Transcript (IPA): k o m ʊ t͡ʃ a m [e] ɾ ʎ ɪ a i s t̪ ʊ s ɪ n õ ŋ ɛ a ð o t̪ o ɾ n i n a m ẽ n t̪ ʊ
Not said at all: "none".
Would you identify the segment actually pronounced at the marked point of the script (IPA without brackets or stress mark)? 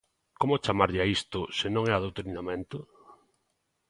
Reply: a